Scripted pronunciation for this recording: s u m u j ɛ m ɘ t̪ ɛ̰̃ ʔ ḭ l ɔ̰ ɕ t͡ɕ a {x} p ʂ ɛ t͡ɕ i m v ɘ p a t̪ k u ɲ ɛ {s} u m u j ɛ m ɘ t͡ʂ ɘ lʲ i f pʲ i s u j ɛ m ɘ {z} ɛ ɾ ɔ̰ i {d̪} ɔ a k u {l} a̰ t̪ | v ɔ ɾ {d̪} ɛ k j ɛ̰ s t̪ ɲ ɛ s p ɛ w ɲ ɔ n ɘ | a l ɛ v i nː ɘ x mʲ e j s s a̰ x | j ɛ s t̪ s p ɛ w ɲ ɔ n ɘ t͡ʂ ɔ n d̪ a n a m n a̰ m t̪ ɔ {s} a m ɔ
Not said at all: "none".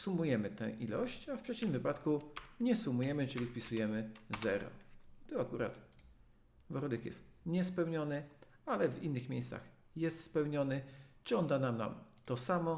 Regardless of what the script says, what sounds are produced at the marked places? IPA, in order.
f, s, z, t̪, ɾ, d̪, s

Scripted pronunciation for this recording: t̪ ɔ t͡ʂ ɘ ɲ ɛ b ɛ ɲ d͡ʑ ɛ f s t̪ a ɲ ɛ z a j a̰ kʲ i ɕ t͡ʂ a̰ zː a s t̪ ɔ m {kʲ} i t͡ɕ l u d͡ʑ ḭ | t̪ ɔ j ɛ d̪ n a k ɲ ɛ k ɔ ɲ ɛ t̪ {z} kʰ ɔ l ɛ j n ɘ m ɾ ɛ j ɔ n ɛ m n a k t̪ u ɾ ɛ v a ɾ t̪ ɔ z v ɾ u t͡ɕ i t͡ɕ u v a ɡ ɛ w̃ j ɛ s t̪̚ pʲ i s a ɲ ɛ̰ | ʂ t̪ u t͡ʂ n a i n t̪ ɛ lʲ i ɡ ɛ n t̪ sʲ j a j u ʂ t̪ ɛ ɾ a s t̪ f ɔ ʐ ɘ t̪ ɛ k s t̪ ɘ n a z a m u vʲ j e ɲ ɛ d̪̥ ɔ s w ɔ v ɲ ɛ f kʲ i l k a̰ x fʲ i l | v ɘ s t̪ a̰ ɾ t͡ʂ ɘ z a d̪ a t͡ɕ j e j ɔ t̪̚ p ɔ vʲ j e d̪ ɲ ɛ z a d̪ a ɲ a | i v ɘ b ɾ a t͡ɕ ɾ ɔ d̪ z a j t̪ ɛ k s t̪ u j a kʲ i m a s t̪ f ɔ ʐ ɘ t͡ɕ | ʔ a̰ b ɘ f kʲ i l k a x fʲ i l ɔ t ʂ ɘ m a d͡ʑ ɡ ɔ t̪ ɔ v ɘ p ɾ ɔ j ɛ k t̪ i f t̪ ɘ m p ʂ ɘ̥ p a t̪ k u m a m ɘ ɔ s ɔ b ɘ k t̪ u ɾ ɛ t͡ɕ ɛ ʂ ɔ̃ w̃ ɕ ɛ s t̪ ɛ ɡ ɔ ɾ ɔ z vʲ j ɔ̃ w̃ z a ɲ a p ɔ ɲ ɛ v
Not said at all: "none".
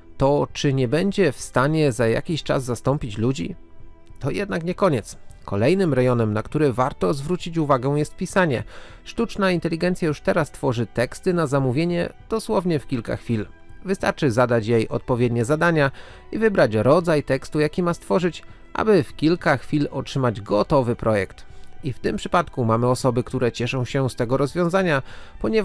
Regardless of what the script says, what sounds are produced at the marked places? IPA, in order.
pʲ, s

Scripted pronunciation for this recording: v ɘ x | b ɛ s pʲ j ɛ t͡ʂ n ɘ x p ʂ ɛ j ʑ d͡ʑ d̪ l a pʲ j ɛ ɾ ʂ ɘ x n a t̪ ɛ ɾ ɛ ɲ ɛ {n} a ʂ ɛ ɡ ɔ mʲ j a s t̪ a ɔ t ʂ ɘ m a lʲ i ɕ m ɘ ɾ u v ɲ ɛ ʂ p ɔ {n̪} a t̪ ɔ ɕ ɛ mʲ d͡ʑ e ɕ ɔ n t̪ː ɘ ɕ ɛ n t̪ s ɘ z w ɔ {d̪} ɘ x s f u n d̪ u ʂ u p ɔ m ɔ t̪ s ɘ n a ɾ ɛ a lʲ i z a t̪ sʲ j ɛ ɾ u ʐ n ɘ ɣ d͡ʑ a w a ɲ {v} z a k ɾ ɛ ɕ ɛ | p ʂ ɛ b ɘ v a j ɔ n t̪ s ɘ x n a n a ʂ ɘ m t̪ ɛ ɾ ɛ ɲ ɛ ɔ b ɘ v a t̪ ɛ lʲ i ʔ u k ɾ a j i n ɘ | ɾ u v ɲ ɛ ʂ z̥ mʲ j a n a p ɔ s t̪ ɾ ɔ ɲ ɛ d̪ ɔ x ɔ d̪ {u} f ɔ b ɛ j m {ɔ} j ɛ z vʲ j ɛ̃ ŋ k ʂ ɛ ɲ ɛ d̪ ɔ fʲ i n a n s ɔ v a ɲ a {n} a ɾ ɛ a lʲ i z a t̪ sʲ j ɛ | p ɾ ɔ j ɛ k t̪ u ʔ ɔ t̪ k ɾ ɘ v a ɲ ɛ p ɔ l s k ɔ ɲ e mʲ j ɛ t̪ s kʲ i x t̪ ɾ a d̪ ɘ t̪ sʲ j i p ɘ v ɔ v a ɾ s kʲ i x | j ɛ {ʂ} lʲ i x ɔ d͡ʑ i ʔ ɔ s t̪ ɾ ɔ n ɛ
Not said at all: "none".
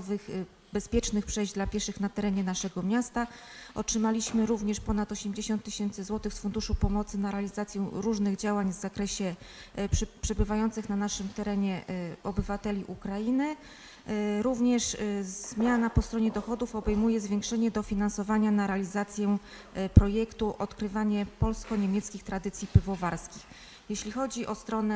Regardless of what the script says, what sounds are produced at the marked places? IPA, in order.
n, n̪, t̪, v, u, u, n, ɕ

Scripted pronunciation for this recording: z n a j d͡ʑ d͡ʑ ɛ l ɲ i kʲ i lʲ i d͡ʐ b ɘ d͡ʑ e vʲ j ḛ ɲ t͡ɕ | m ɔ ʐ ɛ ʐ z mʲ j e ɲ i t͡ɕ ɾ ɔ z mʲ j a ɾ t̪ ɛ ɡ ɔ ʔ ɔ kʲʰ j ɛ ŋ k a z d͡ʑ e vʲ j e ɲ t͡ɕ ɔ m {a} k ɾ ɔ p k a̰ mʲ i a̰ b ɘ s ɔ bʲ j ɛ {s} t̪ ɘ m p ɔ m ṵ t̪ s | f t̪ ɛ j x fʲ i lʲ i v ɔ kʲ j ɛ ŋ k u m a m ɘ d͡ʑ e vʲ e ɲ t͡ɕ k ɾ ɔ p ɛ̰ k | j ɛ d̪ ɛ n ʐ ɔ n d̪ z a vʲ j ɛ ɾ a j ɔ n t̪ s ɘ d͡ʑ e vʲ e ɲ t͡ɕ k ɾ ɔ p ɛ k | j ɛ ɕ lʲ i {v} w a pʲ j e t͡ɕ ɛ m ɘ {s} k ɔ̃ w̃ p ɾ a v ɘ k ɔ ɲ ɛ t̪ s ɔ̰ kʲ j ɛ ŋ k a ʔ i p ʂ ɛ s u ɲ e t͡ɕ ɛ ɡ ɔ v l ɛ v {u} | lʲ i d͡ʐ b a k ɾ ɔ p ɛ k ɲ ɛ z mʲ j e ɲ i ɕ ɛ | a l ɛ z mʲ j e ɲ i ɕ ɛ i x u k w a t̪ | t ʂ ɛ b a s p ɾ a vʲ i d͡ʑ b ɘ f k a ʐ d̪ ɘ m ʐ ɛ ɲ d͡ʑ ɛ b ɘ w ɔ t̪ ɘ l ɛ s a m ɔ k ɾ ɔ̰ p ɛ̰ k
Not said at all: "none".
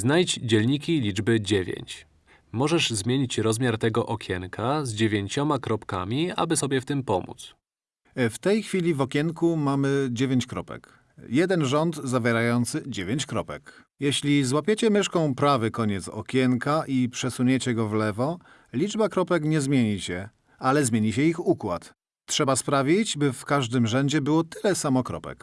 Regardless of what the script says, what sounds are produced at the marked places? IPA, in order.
a, f, z, ʂ, ɔ

